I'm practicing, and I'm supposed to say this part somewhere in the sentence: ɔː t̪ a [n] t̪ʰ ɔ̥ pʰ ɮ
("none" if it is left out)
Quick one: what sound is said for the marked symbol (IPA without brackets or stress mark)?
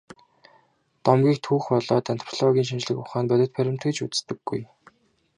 n